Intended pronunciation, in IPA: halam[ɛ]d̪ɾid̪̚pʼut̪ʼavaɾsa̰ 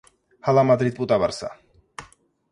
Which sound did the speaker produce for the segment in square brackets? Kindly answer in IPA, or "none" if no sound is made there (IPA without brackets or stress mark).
a